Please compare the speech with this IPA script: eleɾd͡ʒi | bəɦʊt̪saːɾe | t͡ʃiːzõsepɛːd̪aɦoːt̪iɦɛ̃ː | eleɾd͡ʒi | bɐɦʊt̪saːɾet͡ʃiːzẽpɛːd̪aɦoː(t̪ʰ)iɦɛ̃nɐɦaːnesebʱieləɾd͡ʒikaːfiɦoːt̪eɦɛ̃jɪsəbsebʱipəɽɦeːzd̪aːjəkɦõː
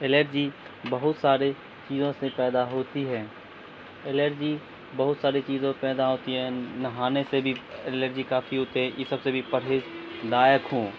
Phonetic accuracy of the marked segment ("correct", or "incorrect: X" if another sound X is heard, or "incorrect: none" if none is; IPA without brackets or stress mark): incorrect: t̪